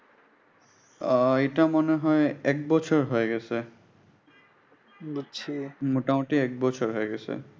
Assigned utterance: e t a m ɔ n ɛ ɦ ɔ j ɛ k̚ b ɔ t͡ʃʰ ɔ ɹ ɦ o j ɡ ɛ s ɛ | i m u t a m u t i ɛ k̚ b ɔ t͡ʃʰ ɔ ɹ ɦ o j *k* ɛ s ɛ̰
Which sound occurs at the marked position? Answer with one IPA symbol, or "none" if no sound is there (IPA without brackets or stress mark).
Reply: ɡ